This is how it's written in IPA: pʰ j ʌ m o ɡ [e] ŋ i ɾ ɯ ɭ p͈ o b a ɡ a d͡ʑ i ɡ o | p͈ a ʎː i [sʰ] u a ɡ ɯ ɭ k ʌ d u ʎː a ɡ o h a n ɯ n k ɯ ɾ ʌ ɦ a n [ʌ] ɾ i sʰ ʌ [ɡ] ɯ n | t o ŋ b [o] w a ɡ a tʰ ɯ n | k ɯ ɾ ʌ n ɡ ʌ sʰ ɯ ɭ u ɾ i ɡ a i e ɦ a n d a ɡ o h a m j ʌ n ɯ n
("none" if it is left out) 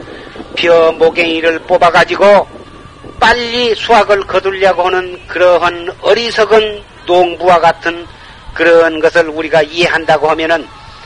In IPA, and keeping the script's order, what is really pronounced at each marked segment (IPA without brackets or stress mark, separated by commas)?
e, sʰ, ʌ, ɡ, u